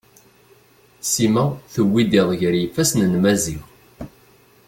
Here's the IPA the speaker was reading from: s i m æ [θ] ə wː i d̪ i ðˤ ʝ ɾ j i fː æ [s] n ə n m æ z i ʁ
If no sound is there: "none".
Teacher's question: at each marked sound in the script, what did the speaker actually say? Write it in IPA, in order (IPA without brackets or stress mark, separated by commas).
θ, s